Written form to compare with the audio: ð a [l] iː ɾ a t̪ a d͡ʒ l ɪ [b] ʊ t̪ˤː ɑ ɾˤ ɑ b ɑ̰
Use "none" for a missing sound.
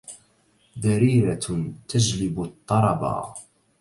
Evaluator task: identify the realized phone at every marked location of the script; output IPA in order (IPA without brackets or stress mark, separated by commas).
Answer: ɾ, b